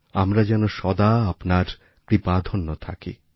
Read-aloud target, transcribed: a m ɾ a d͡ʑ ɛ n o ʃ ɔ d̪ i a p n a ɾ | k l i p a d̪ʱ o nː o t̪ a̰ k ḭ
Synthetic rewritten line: a m ɾ a d͡ʑ ɛ n o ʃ ɔ d̪ a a p n a ɾ | k ɾ i p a d̪ʱ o nː o t̪ʰ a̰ k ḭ